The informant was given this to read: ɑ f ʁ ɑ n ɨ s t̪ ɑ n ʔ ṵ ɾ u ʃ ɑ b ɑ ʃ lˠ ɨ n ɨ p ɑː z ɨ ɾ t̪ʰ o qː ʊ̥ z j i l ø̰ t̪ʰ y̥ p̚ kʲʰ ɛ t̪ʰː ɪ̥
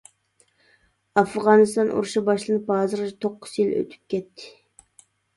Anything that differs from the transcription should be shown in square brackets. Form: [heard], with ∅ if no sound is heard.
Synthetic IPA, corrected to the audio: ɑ f ʁ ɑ n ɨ s t̪ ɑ n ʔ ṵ ɾ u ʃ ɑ b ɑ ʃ lˠ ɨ n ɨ p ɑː z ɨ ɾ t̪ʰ o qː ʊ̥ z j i l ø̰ t̪ʰ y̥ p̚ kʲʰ ɛ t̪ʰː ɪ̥